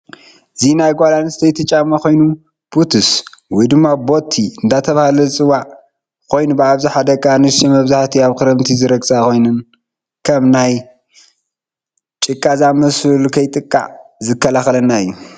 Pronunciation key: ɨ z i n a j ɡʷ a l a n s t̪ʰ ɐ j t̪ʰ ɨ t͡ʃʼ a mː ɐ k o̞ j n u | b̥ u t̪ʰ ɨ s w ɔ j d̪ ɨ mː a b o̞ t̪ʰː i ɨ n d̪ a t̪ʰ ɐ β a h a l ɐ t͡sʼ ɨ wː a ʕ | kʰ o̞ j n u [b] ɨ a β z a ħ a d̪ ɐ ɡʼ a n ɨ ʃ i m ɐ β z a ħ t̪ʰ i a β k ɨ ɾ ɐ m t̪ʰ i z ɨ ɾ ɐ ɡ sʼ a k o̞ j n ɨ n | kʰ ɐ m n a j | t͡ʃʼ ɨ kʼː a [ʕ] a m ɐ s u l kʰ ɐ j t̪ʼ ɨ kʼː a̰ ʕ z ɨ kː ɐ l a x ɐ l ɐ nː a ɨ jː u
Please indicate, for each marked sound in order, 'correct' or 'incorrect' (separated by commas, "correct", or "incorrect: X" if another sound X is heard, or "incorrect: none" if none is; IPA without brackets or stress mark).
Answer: correct, incorrect: z